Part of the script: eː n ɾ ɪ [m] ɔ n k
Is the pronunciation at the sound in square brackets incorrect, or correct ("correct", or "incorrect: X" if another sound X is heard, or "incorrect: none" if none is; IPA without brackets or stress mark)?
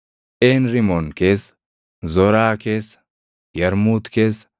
correct